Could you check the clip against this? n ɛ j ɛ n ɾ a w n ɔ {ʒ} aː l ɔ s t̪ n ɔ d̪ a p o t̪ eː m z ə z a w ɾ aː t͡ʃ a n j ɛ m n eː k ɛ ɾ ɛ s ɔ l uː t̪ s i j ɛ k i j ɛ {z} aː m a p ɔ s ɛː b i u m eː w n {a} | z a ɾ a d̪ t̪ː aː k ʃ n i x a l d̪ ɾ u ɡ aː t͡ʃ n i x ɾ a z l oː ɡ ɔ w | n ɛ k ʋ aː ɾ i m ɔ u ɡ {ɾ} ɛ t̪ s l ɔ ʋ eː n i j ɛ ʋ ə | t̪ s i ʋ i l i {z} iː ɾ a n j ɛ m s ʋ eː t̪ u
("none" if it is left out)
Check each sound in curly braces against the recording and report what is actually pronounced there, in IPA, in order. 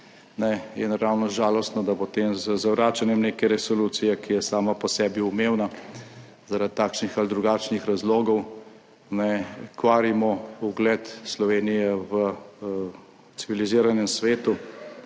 ʒ, s, a, l, z

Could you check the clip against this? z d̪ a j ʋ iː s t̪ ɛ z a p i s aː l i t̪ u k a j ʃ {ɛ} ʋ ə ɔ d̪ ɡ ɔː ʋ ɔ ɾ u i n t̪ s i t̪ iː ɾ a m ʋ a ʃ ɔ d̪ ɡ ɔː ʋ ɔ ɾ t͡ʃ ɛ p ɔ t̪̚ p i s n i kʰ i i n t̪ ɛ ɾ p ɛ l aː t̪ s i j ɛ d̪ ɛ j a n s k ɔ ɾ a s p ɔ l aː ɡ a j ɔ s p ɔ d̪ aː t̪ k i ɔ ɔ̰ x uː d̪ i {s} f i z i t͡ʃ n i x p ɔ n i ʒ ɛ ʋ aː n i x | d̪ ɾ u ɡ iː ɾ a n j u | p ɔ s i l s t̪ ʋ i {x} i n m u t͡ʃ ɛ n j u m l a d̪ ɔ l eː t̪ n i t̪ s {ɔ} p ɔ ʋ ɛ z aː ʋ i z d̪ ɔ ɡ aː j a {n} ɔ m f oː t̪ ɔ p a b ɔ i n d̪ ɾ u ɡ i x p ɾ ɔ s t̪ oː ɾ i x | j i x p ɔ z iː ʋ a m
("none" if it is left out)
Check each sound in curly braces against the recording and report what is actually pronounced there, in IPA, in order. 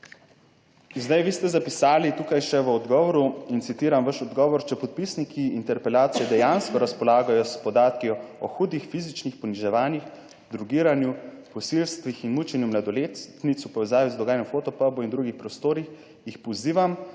ɛ, x, x, u, n

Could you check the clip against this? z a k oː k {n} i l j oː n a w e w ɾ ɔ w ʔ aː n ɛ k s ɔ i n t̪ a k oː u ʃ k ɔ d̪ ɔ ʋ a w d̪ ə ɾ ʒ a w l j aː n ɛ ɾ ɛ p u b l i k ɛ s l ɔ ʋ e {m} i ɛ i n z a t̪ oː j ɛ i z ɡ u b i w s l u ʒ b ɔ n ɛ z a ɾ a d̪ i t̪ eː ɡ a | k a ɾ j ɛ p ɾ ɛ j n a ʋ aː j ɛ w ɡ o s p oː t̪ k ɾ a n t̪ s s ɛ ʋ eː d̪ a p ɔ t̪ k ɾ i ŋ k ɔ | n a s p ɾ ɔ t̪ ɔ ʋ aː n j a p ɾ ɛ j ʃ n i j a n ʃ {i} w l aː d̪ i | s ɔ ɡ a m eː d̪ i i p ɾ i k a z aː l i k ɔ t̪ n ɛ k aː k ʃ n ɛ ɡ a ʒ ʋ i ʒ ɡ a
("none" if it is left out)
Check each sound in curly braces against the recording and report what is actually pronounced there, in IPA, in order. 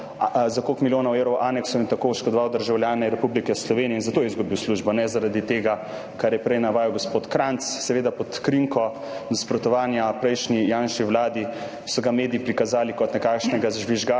m, n, i

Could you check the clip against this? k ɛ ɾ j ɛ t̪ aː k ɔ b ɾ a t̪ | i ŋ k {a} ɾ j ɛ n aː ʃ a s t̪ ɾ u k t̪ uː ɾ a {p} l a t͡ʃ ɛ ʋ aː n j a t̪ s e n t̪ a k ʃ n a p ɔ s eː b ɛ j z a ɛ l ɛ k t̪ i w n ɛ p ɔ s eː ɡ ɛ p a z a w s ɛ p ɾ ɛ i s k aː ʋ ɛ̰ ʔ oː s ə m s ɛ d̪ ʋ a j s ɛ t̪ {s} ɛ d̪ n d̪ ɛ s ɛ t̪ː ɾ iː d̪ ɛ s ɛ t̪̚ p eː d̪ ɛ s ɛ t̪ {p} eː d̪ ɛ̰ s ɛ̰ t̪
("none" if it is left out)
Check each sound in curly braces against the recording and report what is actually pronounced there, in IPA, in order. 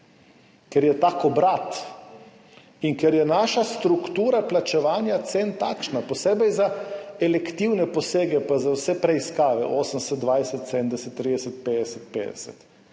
ɛ, p, s, p

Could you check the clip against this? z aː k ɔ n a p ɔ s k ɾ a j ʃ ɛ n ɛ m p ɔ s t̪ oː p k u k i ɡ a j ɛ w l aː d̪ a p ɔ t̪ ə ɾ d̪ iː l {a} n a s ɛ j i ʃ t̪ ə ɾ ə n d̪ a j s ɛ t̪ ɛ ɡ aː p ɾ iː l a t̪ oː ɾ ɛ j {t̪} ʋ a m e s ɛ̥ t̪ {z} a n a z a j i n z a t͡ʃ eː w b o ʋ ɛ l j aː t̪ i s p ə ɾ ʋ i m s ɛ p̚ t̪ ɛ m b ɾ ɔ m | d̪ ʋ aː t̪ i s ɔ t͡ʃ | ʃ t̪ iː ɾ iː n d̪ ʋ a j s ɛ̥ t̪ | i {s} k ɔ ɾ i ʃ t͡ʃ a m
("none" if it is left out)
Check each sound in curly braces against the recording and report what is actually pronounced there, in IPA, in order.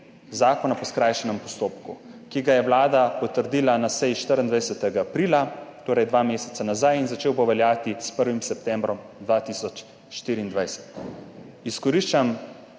a, d̪, s, s

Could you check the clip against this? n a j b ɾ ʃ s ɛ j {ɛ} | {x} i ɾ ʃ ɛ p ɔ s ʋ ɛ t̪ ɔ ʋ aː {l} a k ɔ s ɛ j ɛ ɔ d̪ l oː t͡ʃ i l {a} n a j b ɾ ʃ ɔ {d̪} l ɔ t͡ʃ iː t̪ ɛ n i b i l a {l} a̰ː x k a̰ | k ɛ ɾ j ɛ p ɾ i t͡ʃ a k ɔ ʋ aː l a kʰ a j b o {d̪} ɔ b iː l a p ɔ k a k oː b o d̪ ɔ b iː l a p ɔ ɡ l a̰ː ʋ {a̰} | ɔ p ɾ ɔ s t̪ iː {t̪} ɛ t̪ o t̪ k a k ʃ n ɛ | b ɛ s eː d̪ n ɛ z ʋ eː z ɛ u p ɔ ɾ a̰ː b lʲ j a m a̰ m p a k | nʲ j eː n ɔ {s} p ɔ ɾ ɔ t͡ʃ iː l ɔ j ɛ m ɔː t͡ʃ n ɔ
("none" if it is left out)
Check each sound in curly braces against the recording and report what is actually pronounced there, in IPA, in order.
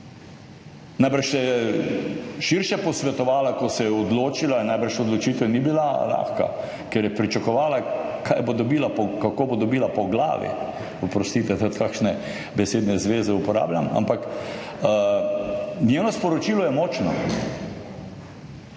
ɛ, ʃ, l, a, d̪, l, d̪, ḭ, t̪, s

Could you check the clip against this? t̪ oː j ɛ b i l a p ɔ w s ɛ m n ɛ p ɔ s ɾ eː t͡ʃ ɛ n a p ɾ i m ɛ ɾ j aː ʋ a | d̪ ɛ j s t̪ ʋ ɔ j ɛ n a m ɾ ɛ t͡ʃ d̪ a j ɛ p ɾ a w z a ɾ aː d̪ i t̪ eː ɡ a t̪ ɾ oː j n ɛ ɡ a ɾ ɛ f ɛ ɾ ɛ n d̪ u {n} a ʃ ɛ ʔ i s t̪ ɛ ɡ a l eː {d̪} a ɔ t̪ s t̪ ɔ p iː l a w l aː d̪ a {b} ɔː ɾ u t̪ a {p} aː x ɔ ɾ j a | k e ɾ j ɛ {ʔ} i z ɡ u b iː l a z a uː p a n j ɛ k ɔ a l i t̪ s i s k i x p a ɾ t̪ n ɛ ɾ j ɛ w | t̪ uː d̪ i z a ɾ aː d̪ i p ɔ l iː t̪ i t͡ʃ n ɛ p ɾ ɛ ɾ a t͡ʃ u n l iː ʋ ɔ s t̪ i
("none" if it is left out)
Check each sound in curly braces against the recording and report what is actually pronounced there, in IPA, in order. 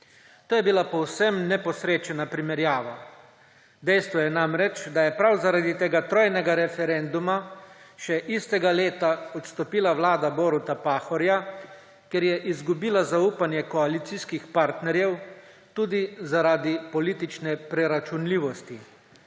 m, t̪, b, p, ʔ

